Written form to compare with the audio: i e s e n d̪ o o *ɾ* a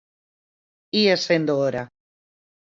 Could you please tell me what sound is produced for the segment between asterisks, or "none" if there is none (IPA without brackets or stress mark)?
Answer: ɾ